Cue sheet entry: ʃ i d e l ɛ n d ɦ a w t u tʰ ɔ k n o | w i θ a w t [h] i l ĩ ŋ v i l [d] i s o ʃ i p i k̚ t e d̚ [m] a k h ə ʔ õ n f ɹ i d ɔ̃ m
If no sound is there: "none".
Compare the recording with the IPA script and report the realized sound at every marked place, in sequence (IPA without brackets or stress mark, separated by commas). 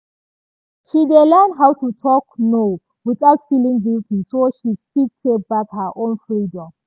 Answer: f, t, b